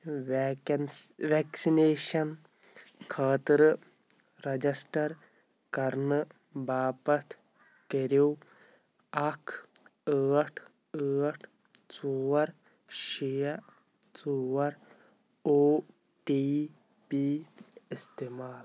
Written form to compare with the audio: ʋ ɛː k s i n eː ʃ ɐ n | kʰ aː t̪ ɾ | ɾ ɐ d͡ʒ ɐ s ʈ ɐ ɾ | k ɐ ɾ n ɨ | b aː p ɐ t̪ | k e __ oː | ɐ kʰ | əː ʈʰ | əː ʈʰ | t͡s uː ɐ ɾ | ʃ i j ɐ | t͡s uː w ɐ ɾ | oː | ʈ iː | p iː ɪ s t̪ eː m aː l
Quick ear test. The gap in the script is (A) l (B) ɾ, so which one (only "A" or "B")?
B